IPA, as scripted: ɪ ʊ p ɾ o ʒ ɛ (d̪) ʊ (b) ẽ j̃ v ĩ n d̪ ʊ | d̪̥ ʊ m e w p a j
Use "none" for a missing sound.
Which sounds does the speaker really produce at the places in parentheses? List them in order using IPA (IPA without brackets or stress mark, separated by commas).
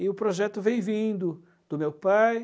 t̪, v